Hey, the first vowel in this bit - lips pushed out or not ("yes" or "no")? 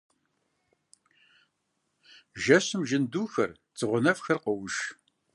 no